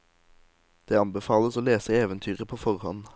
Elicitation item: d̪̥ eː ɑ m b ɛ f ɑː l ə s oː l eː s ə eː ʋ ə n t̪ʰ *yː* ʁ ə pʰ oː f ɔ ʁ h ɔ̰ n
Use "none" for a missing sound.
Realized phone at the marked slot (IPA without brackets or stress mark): yː